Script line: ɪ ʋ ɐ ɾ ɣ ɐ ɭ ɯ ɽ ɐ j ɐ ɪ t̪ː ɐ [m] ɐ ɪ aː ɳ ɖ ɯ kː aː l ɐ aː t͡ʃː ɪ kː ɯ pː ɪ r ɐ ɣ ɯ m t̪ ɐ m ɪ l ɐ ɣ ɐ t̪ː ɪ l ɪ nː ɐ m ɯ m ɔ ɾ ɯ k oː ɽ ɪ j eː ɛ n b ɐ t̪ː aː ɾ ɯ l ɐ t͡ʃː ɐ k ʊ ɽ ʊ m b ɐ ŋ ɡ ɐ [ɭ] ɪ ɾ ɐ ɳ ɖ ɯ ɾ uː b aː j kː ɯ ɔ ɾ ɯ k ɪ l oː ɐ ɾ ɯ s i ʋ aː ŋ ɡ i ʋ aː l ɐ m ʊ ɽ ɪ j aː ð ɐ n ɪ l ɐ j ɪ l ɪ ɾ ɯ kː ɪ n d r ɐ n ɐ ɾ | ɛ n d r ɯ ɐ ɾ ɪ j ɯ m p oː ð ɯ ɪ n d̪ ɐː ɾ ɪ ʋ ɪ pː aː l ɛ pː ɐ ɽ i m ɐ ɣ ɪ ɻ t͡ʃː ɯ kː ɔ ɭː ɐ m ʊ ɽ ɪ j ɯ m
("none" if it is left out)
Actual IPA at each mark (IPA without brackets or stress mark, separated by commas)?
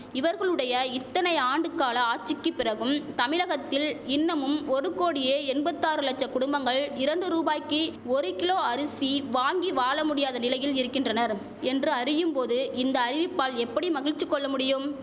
n, ɭ